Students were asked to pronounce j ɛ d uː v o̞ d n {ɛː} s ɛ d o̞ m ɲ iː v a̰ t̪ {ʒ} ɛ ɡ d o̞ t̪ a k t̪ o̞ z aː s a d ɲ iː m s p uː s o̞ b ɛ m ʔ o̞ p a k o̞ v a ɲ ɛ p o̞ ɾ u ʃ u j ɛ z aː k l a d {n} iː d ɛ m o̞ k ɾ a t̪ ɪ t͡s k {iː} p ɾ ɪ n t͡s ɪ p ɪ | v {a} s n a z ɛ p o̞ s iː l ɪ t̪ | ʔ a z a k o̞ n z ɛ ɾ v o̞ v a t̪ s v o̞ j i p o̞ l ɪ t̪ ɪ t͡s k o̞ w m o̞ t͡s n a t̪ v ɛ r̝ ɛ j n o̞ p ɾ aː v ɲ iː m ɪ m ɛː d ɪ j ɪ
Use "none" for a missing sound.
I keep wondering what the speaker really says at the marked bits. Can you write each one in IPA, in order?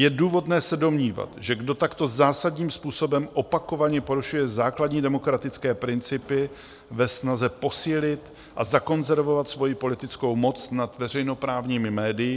ɛː, ʒ, ɲ, ɛː, ɛ

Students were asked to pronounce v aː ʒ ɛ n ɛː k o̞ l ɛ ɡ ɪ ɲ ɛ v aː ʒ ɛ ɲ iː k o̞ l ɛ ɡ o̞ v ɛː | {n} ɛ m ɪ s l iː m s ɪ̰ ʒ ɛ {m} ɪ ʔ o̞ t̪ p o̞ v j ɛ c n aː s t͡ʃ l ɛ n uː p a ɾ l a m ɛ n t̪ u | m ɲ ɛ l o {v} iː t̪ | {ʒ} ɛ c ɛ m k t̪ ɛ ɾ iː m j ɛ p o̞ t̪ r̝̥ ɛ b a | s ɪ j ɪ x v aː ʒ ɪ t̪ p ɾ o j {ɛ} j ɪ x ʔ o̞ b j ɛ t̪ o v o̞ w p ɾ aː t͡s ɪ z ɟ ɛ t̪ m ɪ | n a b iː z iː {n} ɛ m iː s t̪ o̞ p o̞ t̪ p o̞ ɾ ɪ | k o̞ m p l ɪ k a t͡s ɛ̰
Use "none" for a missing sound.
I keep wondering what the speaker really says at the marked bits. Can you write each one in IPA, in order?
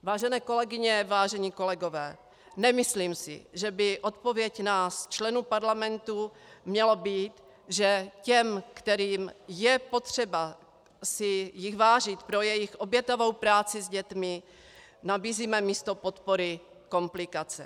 n, b, b, ʒ, ɛ, m

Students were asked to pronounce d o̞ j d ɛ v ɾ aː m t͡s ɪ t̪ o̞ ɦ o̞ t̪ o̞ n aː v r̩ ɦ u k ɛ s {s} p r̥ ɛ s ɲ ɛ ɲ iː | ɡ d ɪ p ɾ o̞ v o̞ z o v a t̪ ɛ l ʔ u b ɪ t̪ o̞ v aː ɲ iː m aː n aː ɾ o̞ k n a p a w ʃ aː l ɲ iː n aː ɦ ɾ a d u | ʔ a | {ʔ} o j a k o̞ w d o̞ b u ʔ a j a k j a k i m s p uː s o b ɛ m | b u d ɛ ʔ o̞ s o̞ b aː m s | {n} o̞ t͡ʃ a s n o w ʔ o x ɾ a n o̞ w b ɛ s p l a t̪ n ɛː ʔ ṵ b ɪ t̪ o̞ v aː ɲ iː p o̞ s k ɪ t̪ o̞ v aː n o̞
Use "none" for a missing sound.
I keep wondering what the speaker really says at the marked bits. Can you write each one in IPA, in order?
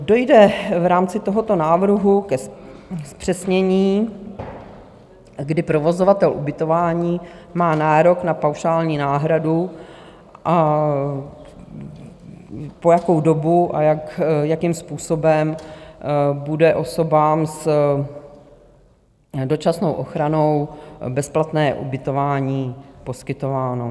s, p, d

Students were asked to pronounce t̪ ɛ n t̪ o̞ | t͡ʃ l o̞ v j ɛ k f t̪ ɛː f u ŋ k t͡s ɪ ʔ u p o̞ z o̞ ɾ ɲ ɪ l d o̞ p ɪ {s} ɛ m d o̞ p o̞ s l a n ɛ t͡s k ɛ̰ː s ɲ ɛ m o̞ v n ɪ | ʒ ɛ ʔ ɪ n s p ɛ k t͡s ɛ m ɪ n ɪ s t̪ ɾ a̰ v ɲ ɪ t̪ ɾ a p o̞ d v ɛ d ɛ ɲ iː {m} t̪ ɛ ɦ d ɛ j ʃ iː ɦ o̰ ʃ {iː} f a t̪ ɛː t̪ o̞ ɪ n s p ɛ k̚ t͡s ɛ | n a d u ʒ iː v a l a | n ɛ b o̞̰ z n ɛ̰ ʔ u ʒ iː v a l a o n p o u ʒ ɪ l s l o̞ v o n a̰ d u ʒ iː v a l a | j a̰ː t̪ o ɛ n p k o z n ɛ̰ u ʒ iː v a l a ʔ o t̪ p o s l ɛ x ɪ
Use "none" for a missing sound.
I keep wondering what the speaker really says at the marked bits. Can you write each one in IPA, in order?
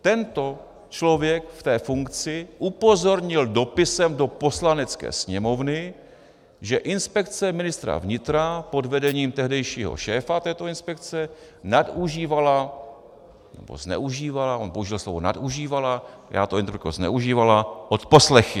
s, m, ɛː

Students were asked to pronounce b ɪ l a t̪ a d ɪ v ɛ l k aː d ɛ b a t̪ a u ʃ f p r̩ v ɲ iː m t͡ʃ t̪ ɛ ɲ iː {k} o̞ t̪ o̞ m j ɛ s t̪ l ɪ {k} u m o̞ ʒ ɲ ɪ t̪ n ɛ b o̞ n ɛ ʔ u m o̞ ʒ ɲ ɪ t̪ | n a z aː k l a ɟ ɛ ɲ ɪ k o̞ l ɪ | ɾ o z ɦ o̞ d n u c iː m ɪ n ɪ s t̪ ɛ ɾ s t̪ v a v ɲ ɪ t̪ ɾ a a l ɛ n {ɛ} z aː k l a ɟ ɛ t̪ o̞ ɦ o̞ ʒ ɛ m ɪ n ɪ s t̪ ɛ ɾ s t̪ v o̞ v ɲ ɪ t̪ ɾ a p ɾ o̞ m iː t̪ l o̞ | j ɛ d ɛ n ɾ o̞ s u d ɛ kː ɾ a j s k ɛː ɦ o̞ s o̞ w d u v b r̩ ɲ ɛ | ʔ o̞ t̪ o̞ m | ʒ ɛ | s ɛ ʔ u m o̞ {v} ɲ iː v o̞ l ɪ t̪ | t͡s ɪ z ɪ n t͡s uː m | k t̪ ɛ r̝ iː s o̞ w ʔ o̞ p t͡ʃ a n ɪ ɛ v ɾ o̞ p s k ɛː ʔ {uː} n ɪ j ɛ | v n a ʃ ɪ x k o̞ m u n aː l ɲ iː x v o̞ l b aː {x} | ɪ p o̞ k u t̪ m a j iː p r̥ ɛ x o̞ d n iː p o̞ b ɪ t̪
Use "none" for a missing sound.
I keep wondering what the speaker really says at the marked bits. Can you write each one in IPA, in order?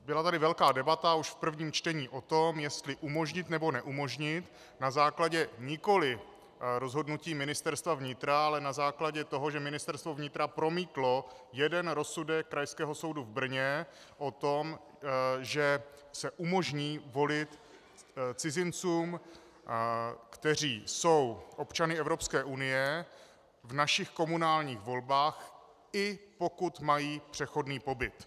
ʔ, ʔ, a, ʒ, u, x

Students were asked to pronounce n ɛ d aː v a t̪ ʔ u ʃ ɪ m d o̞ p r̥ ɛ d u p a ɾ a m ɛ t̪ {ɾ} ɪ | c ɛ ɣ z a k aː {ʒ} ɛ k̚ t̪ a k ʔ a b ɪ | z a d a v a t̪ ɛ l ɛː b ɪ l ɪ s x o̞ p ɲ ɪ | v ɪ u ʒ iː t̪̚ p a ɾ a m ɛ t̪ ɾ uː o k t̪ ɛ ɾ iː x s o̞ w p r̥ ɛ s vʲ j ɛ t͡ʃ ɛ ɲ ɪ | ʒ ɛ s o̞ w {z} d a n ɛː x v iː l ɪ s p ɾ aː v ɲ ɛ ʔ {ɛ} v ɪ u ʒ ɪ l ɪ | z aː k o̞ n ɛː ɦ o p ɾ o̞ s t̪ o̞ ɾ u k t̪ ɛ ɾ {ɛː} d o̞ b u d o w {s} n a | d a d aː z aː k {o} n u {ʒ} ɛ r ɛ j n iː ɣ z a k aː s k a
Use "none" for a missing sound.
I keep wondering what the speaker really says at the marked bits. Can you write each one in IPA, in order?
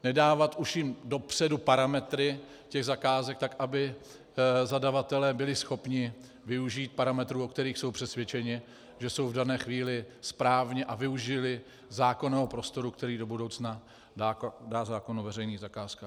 ɾ, z, v, a, iː, t͡s, o, v

